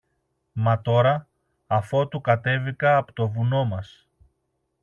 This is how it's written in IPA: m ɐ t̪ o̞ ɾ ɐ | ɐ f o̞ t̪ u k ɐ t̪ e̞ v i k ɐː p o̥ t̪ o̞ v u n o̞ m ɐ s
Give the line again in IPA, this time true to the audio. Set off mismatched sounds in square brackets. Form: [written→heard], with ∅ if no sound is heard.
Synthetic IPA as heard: m ɐ t̪ o̞ ɾ ɐ | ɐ f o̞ t̪ u k ɐ t̪ e̞ v i k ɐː p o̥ t̪ o̞ v u n o̞ m ɐ s